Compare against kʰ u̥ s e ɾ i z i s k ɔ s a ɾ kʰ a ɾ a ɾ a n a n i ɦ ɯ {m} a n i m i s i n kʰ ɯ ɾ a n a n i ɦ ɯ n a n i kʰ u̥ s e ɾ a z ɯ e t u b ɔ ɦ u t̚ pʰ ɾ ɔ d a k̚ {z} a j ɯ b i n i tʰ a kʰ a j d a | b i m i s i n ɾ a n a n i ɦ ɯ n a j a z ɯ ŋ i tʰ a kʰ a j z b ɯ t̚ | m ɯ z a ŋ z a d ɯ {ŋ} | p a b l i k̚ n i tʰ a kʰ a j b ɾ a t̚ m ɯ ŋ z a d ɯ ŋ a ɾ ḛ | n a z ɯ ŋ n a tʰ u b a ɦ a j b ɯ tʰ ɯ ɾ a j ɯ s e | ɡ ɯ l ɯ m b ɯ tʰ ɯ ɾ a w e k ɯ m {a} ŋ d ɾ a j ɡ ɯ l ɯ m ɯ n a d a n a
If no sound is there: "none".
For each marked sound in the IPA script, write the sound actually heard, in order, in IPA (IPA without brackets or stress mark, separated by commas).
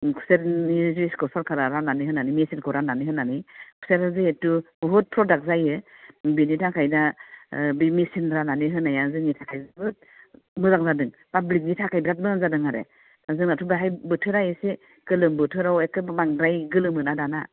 n, z, ŋ, a